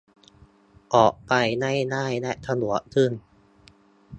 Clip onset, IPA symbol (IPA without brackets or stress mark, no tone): ʔ